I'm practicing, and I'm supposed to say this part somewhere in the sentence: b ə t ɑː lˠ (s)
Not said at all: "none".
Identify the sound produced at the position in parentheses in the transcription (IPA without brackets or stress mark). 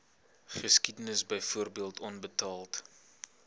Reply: t